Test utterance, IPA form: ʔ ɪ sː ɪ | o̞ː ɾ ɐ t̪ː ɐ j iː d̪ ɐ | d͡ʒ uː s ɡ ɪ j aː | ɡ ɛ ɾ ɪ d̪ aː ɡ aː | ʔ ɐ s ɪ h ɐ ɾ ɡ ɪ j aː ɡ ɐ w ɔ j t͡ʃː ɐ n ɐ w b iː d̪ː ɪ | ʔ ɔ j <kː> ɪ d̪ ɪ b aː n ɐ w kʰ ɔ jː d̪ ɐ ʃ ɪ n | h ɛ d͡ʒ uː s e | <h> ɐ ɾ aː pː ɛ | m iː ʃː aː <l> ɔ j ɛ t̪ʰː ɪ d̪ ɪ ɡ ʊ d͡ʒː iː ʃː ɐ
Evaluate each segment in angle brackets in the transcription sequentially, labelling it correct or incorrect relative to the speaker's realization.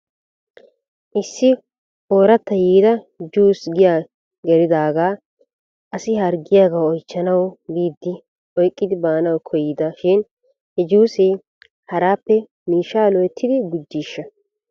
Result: incorrect: kʼː, correct, correct

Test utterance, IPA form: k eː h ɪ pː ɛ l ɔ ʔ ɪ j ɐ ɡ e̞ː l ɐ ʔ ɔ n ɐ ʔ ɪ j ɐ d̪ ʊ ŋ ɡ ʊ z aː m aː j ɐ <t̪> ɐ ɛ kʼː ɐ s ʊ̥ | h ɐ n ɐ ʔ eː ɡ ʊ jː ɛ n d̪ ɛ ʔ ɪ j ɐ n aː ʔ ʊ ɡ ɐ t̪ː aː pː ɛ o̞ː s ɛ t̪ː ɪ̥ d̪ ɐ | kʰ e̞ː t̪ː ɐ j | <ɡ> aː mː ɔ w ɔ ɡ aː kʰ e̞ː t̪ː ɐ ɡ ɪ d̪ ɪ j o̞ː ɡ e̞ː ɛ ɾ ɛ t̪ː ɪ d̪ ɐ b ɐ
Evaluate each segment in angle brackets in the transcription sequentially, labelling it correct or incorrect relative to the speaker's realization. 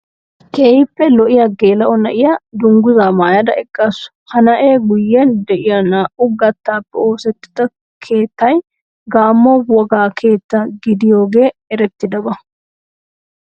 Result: incorrect: d̪, correct

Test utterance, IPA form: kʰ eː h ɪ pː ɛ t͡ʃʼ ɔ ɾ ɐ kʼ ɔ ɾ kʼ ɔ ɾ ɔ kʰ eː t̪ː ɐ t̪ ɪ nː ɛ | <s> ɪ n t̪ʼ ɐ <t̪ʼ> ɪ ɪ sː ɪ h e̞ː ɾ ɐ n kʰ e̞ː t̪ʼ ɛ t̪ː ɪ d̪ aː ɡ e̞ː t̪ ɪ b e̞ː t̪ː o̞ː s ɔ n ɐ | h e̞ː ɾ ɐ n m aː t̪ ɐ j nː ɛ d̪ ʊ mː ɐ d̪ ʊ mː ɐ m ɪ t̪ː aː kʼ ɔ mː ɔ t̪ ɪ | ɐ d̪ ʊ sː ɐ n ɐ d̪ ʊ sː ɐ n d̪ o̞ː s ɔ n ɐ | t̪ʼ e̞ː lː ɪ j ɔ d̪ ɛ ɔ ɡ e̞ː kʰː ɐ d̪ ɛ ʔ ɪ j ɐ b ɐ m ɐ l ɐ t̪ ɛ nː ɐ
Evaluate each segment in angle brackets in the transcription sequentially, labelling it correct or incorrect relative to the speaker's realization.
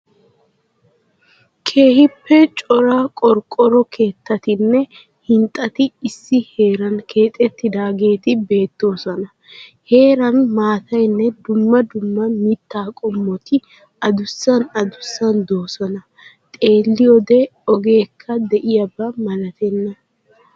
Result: incorrect: h, incorrect: t̪

